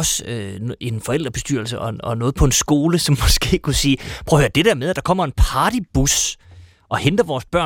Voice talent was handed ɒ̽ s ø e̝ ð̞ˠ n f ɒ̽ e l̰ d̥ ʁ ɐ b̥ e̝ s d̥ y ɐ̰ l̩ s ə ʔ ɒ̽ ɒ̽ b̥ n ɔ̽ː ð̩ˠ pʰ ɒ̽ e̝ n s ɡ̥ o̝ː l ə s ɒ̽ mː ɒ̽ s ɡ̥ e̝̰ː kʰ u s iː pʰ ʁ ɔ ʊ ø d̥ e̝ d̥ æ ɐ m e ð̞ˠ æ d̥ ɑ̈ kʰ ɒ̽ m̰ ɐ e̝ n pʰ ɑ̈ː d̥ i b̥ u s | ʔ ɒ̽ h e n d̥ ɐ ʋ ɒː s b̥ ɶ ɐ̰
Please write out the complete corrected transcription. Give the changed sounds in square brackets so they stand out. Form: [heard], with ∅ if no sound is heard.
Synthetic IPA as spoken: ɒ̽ s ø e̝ [∅] n f ɒ̽ e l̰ d̥ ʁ ɐ b̥ e̝ s d̥ y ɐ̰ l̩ s ə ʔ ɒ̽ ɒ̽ [∅] n ɔ̽ː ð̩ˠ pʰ ɒ̽ e̝ n s ɡ̥ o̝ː l ə s ɒ̽ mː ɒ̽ s ɡ̥ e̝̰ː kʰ u s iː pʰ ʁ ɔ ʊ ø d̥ e̝ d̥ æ ɐ m e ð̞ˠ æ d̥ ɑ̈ kʰ ɒ̽ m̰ ɐ e̝ n pʰ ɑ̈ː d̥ i b̥ u s | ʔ ɒ̽ h e n d̥ ɐ ʋ ɒː s b̥ ɶ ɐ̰